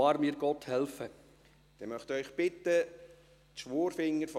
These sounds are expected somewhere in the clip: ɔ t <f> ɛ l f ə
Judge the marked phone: incorrect: h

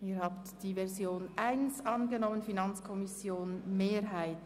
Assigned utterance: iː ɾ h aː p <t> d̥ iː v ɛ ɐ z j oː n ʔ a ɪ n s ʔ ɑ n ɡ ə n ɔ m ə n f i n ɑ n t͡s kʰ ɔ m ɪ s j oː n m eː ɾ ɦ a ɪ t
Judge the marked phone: correct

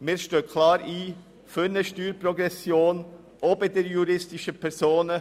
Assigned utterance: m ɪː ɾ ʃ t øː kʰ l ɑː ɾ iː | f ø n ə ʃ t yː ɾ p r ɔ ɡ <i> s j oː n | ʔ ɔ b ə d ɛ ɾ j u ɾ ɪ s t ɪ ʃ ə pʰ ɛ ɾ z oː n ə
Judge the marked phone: incorrect: ɛ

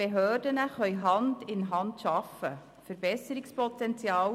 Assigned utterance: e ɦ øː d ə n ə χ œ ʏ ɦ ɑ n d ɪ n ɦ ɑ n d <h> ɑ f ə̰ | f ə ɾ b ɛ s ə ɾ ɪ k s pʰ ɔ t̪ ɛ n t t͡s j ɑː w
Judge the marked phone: incorrect: ʃ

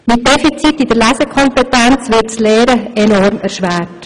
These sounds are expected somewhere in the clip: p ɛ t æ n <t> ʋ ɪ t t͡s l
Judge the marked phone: incorrect: t͡s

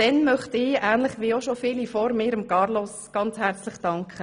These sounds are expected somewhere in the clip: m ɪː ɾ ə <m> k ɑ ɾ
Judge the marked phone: correct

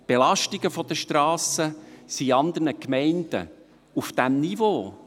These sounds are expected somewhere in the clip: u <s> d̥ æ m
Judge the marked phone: incorrect: f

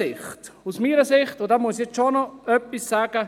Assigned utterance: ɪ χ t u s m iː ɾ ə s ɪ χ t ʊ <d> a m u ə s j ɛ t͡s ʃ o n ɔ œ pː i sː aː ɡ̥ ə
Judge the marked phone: correct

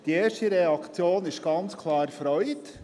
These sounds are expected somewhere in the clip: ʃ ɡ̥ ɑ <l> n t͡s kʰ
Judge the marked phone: incorrect: none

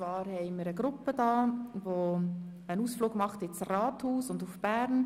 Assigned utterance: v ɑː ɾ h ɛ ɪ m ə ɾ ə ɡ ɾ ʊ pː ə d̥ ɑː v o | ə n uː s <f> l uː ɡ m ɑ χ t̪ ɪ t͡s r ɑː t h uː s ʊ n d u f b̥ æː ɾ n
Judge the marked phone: correct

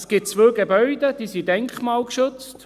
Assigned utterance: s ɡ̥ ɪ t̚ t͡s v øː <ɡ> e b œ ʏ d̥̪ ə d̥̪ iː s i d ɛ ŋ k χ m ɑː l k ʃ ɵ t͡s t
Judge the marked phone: correct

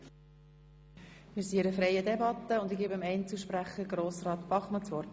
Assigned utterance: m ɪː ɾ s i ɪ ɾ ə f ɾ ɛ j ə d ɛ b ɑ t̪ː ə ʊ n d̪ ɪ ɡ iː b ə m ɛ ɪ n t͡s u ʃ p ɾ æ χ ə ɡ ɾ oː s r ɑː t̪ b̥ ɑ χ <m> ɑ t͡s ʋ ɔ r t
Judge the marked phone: correct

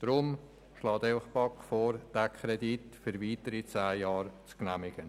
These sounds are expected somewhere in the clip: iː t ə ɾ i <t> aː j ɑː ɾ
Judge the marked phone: incorrect: t͡s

